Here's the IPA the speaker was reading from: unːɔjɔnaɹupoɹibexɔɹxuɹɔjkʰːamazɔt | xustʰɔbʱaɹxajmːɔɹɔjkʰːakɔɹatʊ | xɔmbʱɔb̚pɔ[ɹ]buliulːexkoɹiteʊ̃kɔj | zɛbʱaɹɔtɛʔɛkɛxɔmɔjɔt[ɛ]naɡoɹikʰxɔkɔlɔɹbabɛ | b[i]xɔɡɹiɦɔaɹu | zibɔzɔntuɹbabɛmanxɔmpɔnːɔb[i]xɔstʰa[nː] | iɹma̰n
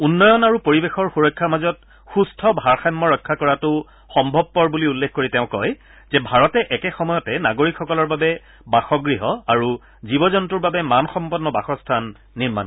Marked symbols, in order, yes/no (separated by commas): yes, yes, no, no, yes